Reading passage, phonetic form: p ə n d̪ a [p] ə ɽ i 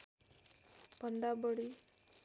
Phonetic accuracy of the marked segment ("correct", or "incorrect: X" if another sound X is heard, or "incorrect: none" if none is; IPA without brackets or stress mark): incorrect: b